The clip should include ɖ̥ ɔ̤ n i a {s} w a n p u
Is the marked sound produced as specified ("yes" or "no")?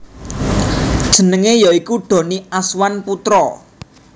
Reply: yes